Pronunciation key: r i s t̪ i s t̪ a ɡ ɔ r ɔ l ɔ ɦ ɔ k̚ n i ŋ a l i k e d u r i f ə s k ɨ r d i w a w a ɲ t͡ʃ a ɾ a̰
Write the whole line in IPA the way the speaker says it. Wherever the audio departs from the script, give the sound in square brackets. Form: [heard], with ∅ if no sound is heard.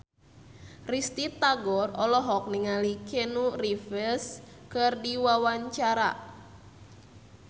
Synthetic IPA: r i s t̪ i [∅] t̪ a ɡ ɔ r ɔ l ɔ ɦ ɔ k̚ n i ŋ a l i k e [n] u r i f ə s k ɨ r d i w a w a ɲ t͡ʃ a ɾ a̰